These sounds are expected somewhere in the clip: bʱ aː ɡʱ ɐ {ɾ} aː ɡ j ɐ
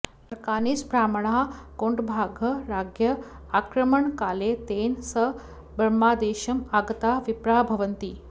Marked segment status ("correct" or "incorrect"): correct